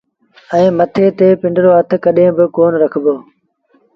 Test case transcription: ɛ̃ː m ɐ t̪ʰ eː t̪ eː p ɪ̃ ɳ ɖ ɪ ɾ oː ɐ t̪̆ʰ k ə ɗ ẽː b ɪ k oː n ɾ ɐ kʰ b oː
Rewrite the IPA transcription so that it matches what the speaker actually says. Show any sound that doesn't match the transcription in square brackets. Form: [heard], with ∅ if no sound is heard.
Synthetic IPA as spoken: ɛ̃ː m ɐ t̪ʰ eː t̪ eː p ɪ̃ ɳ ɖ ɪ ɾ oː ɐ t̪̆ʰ k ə ɗ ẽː b ɪ k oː n ɾ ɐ kʰ b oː